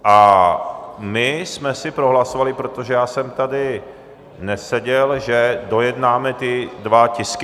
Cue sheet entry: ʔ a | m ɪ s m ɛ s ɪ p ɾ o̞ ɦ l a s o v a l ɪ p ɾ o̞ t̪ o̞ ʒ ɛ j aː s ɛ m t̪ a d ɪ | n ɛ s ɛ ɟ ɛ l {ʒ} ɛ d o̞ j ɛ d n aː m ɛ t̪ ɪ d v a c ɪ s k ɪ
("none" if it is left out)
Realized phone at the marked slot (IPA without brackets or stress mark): ʒ